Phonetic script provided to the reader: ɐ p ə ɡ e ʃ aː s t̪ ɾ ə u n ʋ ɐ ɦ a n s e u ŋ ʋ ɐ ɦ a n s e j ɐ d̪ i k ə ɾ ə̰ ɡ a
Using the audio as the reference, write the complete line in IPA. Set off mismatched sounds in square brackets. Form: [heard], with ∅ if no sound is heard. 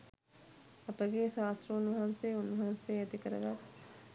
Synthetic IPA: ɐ p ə ɡ e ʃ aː s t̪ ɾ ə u n ʋ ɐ ɦ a n s e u [n] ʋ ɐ ɦ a n s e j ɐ [t̪] i k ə ɾ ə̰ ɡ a